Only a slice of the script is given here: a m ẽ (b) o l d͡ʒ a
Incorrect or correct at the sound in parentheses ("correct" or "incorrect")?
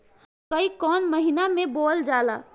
correct